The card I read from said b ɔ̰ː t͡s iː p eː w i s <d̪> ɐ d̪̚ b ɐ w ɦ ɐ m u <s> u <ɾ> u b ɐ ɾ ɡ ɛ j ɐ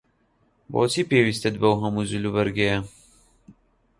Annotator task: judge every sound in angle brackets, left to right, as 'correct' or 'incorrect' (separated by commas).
incorrect, incorrect, incorrect